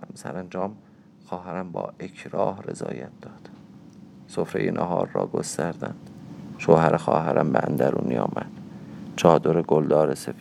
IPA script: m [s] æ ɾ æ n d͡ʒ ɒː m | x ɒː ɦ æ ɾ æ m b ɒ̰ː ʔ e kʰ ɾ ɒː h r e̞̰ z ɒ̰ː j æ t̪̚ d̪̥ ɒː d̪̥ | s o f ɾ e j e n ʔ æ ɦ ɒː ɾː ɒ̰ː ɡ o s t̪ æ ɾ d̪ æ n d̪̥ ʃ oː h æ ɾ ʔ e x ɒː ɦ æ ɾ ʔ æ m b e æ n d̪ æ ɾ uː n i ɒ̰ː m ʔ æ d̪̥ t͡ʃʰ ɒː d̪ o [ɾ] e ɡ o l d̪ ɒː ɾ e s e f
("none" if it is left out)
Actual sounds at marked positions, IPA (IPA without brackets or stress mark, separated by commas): s, ɾ